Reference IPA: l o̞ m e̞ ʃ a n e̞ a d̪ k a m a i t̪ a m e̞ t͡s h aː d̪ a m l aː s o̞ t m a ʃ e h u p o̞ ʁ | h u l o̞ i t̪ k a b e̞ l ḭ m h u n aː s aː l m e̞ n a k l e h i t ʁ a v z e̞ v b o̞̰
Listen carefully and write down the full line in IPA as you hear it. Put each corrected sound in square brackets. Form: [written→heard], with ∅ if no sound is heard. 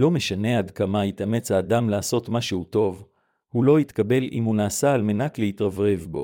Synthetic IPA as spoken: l o̞ m e̞ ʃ a n e̞ a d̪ k a m a i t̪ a m e̞ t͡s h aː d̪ a m l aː s o̞ t m a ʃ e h u [p→t] o̞ [ʁ→v] | h u l o̞ i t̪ k a b e̞ l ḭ m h u n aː s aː l m e̞ n a k l e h i t ʁ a v [z→ʁ] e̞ v b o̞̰